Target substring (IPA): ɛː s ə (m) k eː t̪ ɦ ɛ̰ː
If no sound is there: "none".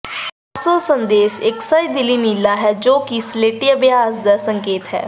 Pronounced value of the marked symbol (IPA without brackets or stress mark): ŋ